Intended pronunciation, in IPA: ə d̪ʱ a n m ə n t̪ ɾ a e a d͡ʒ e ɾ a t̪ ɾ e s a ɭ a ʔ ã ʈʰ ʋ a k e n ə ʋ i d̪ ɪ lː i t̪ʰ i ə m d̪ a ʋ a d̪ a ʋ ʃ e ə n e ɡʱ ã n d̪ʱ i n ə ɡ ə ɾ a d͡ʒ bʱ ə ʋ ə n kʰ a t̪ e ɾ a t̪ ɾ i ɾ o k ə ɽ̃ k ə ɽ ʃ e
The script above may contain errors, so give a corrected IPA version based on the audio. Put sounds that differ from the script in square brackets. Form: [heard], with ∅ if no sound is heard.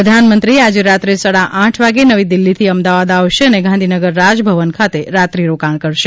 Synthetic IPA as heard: ə d̪ʱ a n m ə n t̪ ɾ [i] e a d͡ʒ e ɾ a t̪ ɾ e s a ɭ a ʔ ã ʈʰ ʋ a [ɡ] e n ə ʋ i d̪ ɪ lː i t̪ʰ i ə m d̪ a ʋ a d̪ a ʋ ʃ e ə n e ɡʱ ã n d̪ʱ i n ə ɡ ə [ɾː] a d͡ʒ bʱ ə ʋ ə n kʰ a t̪ e ɾ a t̪ ɾ i ɾ o k [a] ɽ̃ k ə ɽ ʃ e